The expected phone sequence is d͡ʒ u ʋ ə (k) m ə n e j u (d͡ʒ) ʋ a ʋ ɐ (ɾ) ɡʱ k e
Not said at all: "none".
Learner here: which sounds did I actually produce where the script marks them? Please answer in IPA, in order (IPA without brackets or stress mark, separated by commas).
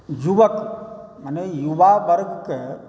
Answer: k, none, ɾ